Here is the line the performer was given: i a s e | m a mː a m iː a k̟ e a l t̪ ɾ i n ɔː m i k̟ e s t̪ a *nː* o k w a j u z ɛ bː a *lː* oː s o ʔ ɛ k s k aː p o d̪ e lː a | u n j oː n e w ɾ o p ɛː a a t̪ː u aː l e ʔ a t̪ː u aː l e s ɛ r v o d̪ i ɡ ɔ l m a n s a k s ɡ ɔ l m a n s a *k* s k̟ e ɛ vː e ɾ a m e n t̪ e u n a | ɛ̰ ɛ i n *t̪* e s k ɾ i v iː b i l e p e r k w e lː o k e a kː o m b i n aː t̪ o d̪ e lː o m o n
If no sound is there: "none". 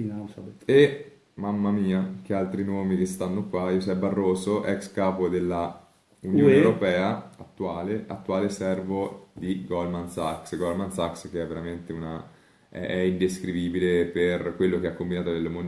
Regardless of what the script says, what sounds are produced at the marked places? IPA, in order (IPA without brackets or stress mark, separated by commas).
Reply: nː, rː, k, d̪